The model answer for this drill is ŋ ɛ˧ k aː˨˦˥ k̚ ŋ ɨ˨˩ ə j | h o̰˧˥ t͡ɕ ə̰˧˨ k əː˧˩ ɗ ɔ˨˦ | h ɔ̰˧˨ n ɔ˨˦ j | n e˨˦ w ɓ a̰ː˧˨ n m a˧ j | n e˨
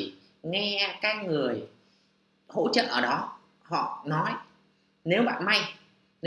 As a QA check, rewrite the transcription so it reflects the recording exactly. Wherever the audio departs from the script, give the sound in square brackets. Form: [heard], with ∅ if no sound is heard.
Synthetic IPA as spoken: ŋ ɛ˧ k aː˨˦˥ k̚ ŋ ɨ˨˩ ə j | h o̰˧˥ t͡ɕ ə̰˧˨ [ʔ] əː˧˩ ɗ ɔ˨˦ | h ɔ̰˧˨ n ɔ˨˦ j | n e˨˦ w ɓ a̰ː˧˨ n m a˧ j | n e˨